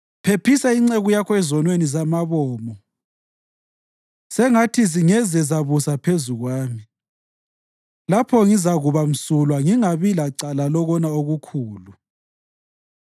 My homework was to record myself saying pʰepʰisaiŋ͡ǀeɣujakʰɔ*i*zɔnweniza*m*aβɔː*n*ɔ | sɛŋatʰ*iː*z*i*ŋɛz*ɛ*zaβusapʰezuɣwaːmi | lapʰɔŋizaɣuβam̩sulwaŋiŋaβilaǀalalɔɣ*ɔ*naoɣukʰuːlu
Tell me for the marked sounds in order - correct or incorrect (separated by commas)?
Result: incorrect, correct, incorrect, incorrect, correct, correct, correct